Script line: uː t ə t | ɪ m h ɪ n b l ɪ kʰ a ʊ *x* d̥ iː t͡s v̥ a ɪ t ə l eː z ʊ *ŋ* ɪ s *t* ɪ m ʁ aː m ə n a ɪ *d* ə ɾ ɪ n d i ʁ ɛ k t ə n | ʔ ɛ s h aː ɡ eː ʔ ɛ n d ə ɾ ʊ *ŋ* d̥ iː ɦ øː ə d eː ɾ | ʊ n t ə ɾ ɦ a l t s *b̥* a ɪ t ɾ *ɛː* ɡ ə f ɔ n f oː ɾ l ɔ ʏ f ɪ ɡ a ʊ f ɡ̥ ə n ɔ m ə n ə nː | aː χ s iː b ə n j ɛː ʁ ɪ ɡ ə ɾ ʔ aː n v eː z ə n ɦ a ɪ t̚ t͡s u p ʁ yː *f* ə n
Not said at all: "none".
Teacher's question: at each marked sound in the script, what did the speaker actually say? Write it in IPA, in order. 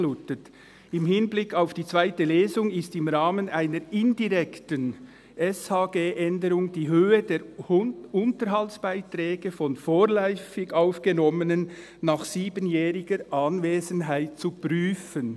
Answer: f, ŋ, t, n, ŋ, b̥, ɛː, f

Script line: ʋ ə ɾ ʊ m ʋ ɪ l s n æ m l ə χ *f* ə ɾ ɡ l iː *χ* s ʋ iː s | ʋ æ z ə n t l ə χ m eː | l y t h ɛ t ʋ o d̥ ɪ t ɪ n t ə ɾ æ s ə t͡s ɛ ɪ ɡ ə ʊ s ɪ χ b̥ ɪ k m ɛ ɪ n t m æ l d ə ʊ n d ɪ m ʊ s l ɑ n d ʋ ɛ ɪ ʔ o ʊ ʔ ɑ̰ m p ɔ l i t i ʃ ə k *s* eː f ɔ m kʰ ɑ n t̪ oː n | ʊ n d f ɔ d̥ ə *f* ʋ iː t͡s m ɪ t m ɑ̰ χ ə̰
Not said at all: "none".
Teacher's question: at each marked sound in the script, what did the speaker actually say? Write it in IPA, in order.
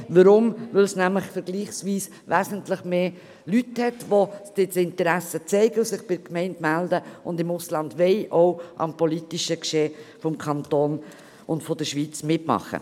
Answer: f, χ, ʃ, ʃ

